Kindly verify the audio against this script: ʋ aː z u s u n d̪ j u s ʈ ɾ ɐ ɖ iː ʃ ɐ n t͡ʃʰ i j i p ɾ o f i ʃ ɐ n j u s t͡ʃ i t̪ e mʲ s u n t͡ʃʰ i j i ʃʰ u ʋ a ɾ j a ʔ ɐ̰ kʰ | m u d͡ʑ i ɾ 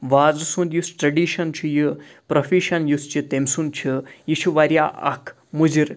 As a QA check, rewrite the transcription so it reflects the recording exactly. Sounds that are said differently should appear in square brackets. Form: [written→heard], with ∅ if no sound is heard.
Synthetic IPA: ʋ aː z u s u n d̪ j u s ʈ ɾ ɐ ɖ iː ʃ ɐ n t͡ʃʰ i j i p ɾ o f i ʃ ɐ n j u s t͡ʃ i t̪ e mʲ s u n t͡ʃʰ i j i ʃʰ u ʋ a ɾ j a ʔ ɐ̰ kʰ | m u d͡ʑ i ɾ